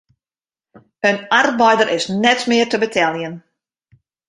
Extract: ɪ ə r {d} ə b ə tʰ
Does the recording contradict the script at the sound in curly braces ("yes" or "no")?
yes